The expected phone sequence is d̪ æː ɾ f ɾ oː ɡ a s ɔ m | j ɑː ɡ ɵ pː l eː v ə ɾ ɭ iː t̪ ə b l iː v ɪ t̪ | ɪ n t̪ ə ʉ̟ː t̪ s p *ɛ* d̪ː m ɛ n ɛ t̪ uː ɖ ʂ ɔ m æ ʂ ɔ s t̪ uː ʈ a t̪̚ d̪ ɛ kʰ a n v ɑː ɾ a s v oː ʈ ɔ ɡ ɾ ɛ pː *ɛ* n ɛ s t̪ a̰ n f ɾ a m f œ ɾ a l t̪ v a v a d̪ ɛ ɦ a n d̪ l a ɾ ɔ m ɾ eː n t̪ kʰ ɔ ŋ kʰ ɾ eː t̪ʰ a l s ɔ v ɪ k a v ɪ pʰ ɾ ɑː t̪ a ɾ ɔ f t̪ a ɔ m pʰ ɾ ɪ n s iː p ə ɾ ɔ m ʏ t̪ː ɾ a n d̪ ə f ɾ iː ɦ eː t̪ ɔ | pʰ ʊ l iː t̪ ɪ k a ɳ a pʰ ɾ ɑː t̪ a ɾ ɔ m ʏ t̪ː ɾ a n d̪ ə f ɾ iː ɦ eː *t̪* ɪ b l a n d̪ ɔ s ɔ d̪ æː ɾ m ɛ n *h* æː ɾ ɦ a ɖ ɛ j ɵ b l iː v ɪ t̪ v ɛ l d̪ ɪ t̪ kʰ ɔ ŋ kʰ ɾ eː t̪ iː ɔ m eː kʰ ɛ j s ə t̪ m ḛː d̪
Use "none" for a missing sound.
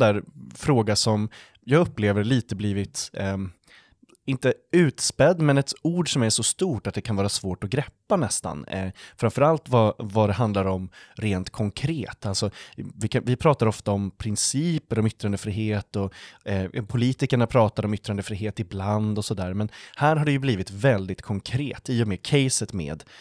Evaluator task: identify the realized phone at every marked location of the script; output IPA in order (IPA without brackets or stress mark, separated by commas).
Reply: ɛ, a, t̪, h